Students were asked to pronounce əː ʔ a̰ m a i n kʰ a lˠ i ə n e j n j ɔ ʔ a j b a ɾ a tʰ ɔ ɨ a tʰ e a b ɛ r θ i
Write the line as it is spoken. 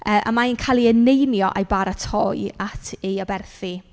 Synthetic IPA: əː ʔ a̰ m a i n kʰ a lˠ i ə n e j n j ɔ ʔ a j b a ɾ a tʰ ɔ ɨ a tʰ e a b ɛ r θ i